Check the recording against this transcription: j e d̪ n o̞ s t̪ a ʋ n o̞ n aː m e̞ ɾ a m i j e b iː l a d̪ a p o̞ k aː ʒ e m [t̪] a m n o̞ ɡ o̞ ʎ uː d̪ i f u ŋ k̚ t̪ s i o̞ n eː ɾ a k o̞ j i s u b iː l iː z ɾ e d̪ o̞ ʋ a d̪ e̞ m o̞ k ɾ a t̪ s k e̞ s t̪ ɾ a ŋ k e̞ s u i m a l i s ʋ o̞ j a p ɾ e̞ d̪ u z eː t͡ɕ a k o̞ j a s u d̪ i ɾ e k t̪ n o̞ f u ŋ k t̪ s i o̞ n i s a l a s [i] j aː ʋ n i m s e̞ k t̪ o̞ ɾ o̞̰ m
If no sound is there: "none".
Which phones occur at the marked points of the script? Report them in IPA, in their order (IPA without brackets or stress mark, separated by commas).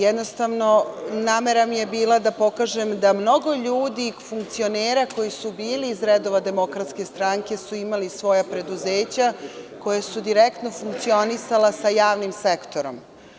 d̪, a